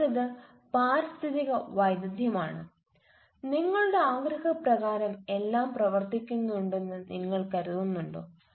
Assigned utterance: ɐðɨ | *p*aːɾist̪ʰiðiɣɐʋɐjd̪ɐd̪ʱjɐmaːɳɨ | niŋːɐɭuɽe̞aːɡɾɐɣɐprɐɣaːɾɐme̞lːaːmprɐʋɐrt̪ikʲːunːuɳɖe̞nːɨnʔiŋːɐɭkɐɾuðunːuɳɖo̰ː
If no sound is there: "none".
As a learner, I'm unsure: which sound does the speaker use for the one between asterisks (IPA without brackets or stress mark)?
p